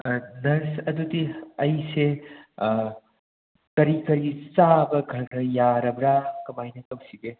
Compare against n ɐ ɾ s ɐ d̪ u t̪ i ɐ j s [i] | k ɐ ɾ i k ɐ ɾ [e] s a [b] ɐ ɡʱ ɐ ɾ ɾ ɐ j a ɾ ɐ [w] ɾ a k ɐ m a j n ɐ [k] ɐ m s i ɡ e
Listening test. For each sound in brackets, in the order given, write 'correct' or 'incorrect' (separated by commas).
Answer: incorrect, incorrect, correct, incorrect, correct